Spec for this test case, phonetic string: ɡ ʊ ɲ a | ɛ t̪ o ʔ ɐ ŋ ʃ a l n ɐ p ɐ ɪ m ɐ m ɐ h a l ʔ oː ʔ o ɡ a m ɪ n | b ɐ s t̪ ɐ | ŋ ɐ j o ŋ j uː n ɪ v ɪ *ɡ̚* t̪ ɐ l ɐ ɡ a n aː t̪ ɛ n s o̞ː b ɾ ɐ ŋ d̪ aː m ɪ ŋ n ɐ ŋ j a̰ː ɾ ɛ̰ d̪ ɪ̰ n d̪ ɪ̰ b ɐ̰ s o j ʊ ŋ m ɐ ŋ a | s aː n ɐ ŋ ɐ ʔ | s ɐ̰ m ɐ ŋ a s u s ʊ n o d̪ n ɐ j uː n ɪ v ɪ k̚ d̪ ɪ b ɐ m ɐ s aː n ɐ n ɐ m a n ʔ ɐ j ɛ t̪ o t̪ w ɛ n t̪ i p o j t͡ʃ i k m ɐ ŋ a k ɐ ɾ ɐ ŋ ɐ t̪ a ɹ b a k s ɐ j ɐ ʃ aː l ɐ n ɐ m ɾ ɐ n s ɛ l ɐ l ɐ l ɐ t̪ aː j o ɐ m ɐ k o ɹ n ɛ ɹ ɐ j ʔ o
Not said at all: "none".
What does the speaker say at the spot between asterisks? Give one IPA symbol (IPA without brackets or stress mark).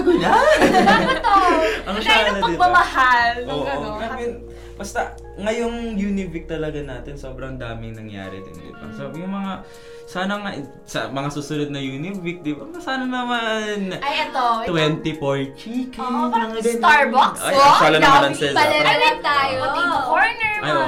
k̚